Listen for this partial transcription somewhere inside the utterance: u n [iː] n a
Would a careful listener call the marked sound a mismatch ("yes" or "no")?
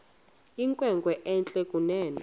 yes